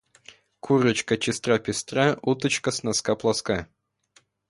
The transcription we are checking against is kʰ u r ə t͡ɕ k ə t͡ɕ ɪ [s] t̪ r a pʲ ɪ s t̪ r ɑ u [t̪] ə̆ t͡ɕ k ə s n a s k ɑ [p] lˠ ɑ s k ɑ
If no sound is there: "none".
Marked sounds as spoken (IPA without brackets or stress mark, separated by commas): s, t̪, p